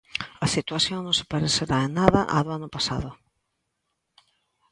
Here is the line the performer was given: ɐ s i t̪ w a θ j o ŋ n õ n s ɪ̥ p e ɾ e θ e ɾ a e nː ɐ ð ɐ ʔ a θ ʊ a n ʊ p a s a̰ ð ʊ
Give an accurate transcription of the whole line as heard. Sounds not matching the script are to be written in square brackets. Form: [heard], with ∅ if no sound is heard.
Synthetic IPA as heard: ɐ s i t̪ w a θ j o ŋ n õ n s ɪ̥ p [a] ɾ e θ e ɾ a e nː [a] ð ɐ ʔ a [ð] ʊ a n ʊ p a s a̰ ð ʊ